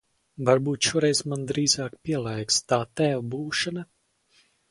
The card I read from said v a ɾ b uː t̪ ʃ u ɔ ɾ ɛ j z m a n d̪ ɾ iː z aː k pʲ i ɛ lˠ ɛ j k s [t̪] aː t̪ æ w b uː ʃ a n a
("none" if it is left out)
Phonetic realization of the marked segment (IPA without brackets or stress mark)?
t̪